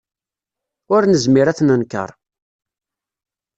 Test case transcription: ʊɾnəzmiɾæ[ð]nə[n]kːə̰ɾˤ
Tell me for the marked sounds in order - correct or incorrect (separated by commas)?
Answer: incorrect, correct